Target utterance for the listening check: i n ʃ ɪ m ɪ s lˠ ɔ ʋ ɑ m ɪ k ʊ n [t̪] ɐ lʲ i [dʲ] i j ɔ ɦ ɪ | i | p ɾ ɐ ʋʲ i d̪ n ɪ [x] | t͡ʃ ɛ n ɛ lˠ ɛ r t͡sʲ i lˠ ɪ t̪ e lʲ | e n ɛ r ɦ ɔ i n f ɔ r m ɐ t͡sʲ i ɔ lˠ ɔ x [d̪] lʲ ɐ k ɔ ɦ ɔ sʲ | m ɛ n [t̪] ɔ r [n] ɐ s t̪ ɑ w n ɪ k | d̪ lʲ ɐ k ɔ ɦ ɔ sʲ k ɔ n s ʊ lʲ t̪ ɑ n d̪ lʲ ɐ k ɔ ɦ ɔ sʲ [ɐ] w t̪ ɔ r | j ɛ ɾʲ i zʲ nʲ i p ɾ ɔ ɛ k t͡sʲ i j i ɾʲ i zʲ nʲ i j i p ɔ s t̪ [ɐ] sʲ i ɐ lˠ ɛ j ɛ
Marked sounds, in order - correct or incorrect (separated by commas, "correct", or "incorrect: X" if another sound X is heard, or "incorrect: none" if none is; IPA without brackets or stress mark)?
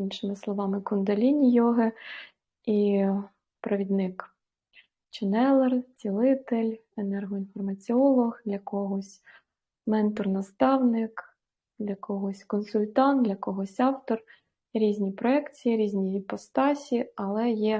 incorrect: d̪, incorrect: nʲ, incorrect: k, correct, correct, correct, incorrect: ɑ, incorrect: ɑ